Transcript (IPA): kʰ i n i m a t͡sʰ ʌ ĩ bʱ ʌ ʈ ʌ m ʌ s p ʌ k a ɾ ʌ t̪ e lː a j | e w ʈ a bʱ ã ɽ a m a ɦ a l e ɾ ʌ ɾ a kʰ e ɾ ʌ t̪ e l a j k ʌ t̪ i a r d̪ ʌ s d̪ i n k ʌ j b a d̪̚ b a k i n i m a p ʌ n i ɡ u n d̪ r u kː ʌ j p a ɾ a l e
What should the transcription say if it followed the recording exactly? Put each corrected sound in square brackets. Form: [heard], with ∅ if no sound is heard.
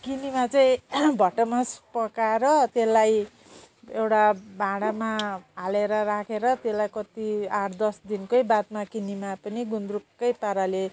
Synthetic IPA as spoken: [k] i n i m a [t͡s] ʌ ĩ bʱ ʌ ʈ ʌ m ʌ s p ʌ k a ɾ ʌ t̪ e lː a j | e w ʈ a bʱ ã ɽ a m a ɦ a l e ɾ ʌ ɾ a kʰ e ɾ ʌ t̪ e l a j k ʌ t̪ i a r d̪ ʌ s d̪ i n k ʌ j b a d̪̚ [m] a k i n i m a p ʌ n i ɡ u n d̪ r u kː ʌ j p a ɾ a l e